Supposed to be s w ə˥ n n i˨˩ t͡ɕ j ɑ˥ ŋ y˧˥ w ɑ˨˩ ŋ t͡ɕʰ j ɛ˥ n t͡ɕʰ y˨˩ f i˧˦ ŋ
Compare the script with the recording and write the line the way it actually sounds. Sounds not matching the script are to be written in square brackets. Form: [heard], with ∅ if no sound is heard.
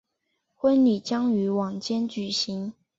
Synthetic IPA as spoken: [x] w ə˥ n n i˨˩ t͡ɕ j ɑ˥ ŋ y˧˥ w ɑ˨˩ ŋ [t͡ɕ] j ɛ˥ n [t͡ɕ] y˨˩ [ɕ] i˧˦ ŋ